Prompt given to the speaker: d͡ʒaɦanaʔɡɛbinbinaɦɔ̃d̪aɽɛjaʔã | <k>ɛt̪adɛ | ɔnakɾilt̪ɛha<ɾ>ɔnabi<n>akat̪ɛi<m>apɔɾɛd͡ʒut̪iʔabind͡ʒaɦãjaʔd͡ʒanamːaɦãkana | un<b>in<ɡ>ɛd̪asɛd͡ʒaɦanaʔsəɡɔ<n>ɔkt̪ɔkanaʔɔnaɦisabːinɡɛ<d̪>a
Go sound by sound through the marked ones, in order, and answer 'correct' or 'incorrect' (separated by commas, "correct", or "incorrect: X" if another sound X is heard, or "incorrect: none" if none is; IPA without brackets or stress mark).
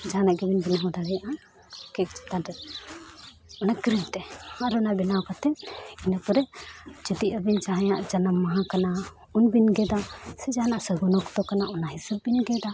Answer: correct, correct, correct, incorrect: n, correct, correct, correct, correct